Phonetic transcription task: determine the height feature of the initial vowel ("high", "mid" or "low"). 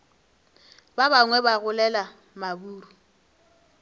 low